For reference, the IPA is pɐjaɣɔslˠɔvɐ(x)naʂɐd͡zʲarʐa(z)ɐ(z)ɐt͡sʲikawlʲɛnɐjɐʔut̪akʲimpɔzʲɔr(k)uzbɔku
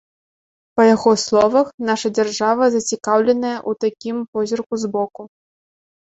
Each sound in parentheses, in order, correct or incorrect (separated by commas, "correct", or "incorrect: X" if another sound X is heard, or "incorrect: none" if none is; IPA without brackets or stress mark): correct, incorrect: v, correct, correct